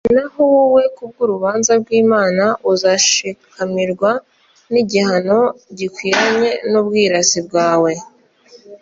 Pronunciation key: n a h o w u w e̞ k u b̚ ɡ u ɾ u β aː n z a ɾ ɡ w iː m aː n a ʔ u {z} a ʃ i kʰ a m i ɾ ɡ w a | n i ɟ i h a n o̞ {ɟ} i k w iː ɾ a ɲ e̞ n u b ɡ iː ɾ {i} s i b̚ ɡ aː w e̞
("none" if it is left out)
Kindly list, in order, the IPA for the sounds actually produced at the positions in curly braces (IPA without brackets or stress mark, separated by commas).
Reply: z, ɟ, a